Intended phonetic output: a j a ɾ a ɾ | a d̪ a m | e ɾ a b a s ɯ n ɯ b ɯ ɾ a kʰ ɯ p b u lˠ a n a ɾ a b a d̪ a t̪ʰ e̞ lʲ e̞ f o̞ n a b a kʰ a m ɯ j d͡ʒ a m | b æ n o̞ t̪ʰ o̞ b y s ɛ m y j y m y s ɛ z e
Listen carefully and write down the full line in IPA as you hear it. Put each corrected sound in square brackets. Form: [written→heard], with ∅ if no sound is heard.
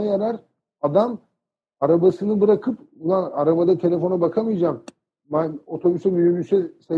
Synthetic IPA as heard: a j a ɾ a ɾ | a d̪ a m | [e→a] ɾ a b a s ɯ n ɯ b ɯ ɾ a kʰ ɯ p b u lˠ a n a ɾ a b a d̪ a t̪ʰ e̞ lʲ e̞ f o̞ n a b a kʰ a m ɯ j d͡ʒ a m | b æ n o̞ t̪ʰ o̞ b y s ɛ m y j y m y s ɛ [z→s] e